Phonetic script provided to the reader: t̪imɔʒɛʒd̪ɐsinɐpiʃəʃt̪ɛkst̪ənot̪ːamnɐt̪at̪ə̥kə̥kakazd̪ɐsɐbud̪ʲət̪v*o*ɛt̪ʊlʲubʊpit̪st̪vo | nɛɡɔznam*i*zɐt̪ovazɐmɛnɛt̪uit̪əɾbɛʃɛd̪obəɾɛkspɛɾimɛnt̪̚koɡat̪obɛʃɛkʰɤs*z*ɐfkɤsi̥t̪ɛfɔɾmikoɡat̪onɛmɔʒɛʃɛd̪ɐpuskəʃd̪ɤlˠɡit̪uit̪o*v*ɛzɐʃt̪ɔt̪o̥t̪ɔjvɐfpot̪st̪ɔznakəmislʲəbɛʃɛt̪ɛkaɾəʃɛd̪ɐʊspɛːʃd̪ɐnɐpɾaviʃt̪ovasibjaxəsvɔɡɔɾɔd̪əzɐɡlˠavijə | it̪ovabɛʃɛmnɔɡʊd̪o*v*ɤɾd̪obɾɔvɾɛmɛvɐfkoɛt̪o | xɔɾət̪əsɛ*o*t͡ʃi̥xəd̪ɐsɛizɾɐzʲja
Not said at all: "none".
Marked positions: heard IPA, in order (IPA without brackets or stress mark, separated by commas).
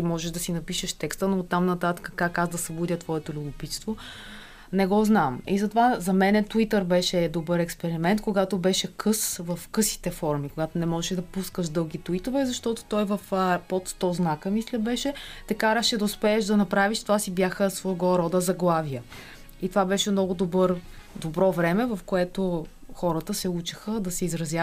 ɔ, i, v, v, b, u